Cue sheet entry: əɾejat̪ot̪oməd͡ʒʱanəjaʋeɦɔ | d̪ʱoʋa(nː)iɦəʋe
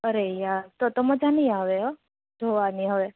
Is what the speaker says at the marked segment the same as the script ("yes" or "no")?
no